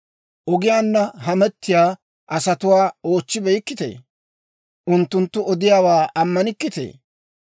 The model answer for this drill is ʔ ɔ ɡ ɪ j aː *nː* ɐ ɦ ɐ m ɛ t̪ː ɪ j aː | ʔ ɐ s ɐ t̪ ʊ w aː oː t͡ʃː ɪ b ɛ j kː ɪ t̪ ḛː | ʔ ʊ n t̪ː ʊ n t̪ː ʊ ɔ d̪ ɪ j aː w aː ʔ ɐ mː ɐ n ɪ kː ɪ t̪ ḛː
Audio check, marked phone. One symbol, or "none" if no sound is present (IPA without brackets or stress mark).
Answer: nː